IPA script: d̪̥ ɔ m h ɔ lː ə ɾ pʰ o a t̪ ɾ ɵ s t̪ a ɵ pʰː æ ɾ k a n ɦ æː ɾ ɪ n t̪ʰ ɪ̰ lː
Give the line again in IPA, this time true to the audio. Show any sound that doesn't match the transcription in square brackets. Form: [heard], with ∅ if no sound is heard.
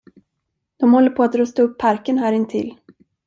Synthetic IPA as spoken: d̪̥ ɔ m h ɔ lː ə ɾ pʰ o a t̪ ɾ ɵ s t̪ a ɵ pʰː [a] ɾ k [ə] n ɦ æː ɾ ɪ n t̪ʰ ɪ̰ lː